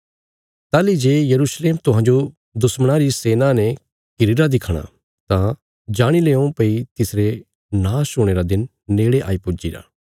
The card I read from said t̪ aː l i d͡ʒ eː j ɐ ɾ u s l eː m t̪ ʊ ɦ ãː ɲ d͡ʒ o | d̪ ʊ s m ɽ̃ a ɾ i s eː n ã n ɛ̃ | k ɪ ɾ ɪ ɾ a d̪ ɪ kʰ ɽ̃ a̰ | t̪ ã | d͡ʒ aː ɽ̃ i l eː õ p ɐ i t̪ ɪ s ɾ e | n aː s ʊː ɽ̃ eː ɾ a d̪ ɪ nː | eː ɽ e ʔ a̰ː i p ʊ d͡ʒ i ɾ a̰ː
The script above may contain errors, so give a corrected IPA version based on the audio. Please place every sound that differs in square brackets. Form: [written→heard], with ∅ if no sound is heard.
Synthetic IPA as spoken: t̪ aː l i d͡ʒ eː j ɐ ɾ u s l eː m t̪ ʊ ɦ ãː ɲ d͡ʒ o | d̪ ʊ s m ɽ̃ a ɾ i s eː n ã n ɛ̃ | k ɪ ɾ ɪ ɾ a d̪ ɪ kʰ ɽ̃ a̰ | t̪ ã | d͡ʒ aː ɽ̃ i l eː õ p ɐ i t̪ ɪ s ɾ e | n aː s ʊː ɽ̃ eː ɾ a d̪ ɪ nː | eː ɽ e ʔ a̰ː i p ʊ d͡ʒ i ɾ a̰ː